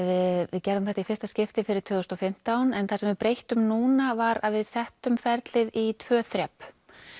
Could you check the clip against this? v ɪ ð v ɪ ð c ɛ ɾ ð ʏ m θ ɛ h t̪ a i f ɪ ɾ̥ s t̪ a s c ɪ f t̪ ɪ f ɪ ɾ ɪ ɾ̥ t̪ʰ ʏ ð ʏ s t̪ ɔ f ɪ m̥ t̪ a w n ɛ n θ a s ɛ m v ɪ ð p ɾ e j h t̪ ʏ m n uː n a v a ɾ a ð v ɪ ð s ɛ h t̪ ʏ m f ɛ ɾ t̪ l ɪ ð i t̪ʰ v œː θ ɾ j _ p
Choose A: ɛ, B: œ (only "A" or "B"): A